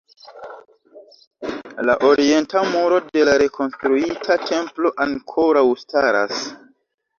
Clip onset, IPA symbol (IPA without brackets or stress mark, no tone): l